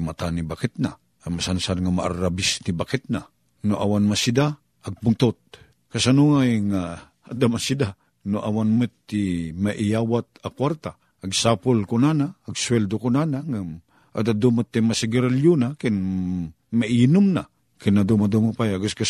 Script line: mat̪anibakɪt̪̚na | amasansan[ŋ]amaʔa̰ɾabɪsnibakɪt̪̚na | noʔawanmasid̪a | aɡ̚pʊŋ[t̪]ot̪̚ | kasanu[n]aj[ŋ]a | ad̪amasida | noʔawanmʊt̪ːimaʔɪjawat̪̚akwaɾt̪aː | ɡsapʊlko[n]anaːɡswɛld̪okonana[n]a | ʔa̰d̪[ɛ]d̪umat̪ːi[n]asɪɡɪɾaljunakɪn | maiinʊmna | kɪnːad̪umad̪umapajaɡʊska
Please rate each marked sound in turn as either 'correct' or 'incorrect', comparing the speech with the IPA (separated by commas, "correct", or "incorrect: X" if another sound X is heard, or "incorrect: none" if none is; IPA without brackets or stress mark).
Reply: correct, correct, incorrect: ŋ, correct, correct, incorrect: ŋ, incorrect: a, incorrect: m